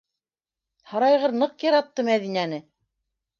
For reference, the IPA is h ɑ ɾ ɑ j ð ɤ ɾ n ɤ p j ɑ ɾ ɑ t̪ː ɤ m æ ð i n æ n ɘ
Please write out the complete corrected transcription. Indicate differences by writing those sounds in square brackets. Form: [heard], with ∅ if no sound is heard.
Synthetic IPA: h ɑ ɾ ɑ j [ʁ] ɤ ɾ n ɤ [q] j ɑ ɾ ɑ t̪ː ɤ m æ ð i n æ n ɘ